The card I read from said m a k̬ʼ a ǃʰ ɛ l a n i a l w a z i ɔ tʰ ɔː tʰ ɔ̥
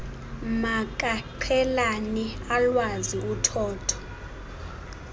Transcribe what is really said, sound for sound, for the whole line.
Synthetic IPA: m a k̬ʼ a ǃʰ ɛ l a n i a l w a z i u tʰ ɔː tʰ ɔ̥